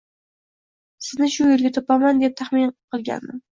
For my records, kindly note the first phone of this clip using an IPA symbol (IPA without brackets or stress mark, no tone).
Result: s